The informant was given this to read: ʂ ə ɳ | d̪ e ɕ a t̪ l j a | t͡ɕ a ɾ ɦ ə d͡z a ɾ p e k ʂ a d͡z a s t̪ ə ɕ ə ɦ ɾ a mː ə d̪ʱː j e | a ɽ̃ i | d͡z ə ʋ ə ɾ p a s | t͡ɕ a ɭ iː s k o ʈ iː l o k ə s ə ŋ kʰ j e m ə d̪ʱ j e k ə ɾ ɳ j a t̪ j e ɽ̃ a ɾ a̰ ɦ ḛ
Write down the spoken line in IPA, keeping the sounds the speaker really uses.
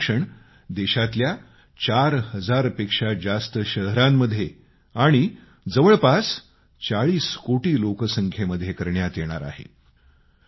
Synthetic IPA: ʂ ə ɳ | d̪ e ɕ a t̪ l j a | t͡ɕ a ɾ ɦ ə d͡z a ɾ p e k ʂ a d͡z a s t̪ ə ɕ ə ɦ ɾ a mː ə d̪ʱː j e | a ɽ̃ i | d͡z ə ʋ ə ɭ p a s | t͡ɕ a ɭ iː s k o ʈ iː l o k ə s ə ŋ kʰ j e m ə d̪ʱ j e k ə ɾ ɳ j a t̪ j e ɽ̃ a ɾ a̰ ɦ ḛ